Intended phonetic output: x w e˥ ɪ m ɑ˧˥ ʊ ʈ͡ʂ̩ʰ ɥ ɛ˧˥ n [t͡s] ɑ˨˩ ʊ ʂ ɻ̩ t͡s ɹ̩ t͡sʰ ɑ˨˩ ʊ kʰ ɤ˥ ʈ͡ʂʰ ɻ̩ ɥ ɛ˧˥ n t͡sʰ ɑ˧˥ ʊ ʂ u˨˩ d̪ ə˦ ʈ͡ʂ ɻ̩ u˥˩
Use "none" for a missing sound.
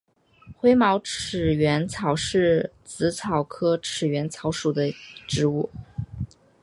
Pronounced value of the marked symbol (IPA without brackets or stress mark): t͡sʰ